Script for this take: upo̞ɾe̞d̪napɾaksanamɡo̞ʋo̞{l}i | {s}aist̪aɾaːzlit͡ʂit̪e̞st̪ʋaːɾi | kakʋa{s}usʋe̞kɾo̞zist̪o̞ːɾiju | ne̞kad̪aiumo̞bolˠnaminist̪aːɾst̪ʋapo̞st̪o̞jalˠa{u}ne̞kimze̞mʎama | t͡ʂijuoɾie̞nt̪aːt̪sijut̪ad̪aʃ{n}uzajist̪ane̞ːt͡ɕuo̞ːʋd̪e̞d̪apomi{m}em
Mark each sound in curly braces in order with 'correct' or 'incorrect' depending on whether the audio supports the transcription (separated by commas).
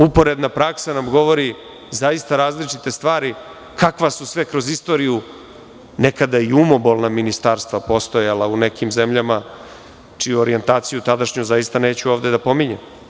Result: incorrect, incorrect, correct, correct, incorrect, incorrect